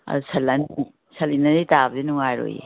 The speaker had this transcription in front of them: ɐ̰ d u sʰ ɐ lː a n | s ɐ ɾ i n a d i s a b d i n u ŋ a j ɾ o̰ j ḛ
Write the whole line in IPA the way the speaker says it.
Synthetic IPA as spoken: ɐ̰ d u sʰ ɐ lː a n | s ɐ l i n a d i t a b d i n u ŋ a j ɾ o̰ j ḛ